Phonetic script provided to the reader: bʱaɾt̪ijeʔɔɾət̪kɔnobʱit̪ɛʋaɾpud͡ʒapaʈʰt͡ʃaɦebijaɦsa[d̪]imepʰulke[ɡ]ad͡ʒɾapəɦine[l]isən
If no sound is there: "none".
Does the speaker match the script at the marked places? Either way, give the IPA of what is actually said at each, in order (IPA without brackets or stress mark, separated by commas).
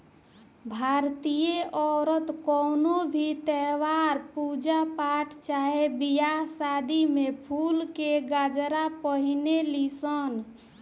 d̪, ɡ, l